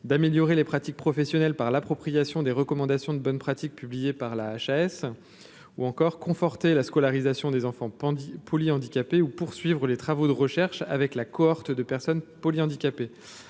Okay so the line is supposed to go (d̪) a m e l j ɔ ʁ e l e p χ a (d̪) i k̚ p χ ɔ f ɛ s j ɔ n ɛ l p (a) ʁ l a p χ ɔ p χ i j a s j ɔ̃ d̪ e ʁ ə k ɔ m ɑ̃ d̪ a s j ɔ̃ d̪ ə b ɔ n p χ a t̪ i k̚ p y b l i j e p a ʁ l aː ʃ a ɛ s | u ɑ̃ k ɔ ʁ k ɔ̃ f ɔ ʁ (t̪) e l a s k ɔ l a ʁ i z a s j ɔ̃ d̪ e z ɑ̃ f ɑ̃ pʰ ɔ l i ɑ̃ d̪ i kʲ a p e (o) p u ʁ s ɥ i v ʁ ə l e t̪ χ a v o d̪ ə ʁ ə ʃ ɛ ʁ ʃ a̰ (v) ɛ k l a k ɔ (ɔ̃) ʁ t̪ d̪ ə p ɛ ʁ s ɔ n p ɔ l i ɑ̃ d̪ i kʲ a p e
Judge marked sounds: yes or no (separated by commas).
yes, no, yes, yes, no, yes, no